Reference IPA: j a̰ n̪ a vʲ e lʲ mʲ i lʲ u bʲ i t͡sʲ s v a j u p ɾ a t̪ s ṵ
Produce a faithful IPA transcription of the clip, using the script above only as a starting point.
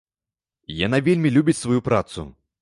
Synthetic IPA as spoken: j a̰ n̪ a vʲ e lʲ mʲ i lʲ u bʲ i t͡sʲ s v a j u p ɾ a t̪ s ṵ